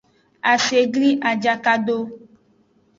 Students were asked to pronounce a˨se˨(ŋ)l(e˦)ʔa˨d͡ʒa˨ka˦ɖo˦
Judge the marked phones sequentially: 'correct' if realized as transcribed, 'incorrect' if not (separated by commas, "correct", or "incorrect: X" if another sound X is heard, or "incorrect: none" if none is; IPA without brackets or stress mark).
incorrect: ɡ, incorrect: i˦